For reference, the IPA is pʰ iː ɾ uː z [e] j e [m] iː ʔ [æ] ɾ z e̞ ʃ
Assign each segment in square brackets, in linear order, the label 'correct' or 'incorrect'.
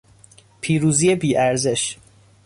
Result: incorrect, incorrect, correct

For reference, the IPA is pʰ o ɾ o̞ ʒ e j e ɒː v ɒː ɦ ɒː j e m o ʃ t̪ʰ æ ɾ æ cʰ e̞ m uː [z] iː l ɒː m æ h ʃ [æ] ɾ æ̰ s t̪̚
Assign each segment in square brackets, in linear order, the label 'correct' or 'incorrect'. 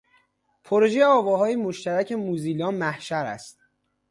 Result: correct, correct

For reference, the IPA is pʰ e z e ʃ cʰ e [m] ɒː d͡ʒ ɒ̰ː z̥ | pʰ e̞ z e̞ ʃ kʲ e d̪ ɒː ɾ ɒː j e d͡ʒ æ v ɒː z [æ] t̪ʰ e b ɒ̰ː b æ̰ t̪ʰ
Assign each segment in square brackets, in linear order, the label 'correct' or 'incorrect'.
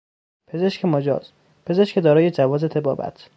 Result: correct, incorrect

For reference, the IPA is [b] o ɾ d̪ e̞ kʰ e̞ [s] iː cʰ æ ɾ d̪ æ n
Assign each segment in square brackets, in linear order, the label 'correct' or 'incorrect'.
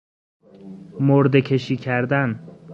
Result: incorrect, incorrect

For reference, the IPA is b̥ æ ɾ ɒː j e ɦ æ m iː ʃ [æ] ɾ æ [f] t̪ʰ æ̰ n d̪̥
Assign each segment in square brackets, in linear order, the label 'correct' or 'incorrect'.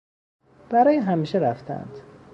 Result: incorrect, correct

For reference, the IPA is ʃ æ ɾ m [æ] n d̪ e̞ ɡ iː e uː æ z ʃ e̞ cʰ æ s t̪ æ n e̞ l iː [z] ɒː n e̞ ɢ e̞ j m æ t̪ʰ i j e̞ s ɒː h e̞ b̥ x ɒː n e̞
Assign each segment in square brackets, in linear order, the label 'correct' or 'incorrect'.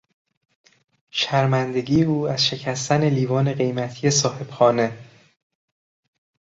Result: correct, incorrect

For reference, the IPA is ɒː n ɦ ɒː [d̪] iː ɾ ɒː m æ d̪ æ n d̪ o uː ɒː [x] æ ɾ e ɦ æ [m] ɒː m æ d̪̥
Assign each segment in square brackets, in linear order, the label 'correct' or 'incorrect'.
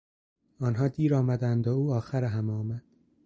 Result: correct, correct, correct

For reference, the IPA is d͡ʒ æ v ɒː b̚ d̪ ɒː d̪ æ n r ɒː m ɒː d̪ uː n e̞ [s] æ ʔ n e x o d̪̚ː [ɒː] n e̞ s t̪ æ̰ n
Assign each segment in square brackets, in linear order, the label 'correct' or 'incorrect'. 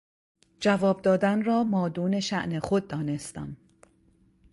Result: incorrect, correct

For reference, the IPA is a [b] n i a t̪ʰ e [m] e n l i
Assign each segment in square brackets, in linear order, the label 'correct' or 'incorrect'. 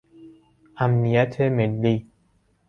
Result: incorrect, correct

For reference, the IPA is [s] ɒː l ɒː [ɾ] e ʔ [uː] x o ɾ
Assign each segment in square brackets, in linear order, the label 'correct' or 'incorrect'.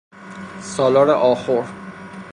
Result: correct, correct, incorrect

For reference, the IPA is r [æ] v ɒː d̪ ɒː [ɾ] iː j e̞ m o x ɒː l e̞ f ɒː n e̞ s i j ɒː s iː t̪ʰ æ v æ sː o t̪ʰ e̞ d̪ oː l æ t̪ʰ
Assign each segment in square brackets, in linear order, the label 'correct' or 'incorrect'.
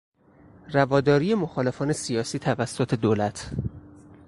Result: correct, correct

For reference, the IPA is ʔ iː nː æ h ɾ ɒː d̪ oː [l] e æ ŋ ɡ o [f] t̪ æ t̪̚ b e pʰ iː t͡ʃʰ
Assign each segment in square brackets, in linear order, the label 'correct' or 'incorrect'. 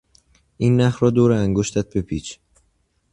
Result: incorrect, incorrect

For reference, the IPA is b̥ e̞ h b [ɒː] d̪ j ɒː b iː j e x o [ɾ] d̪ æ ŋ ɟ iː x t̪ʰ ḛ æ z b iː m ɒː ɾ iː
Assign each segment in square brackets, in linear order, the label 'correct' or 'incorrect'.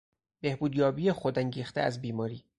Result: incorrect, incorrect

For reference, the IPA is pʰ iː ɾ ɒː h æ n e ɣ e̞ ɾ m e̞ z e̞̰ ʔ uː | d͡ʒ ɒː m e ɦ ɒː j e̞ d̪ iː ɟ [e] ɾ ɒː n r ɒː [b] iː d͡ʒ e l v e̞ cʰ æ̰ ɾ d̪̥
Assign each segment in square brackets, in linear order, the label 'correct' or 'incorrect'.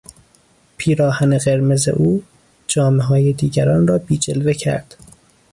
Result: incorrect, correct

